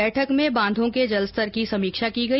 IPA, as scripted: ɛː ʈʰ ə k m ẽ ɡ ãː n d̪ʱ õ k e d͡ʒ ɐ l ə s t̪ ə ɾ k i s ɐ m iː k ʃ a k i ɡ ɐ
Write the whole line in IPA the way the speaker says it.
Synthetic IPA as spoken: ɛː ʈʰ ə k m ẽ b ãː n d̪ʱ õ k e d͡ʒ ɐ l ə s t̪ ə ɾ k i s ɐ m iː k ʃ a k i ɡ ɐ